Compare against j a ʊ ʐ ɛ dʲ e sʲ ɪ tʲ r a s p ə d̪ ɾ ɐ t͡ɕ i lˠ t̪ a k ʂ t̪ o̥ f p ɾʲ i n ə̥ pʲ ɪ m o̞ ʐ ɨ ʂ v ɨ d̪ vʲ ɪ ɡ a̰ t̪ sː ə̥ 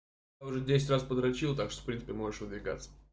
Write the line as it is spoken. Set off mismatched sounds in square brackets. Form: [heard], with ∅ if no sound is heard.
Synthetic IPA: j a ʊ ʐ ɛ dʲ e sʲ ɪ tʲ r a s p ə d̪ ɾ ɐ t͡ɕ i lˠ t̪ a k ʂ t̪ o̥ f p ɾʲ i n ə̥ pʲ ɪ m o̞ ʐ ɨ ʂ v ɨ d̪ vʲ ɪ ɡ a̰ t̪ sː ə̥